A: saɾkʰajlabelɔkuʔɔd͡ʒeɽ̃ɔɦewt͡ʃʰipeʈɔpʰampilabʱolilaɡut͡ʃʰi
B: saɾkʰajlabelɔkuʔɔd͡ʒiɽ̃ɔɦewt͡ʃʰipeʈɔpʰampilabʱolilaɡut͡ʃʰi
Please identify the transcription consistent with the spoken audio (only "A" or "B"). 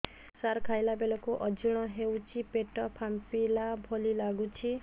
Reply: B